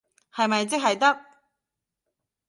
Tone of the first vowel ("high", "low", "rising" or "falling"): low